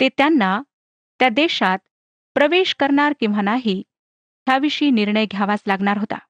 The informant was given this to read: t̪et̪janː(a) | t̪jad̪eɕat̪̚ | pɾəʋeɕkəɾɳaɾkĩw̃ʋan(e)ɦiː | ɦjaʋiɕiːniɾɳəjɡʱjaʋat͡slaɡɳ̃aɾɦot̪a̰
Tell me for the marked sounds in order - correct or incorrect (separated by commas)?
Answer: correct, incorrect